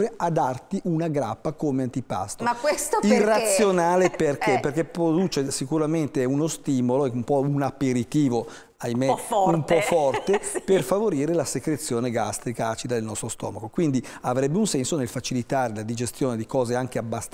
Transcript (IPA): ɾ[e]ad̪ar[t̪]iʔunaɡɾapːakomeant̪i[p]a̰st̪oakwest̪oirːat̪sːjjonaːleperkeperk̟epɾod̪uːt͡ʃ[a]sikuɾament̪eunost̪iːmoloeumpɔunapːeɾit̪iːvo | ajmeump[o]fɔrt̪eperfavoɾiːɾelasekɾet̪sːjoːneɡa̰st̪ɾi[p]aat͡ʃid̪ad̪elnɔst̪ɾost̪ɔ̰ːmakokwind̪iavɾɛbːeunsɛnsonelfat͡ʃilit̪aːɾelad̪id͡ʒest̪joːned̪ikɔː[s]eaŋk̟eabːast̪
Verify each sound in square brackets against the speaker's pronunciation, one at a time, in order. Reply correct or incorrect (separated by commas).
correct, correct, correct, incorrect, incorrect, incorrect, incorrect